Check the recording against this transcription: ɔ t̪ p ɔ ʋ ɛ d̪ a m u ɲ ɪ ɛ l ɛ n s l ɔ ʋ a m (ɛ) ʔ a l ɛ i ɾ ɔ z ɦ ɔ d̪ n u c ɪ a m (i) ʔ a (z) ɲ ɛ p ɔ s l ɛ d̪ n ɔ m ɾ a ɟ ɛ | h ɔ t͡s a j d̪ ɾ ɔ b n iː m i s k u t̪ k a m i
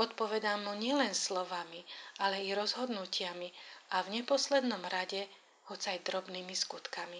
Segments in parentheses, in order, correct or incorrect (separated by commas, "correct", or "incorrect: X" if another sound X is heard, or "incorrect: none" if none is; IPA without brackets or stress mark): incorrect: i, correct, incorrect: v